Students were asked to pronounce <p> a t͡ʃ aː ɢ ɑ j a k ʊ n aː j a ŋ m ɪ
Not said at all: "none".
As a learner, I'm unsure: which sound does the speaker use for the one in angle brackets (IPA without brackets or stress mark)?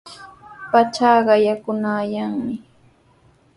p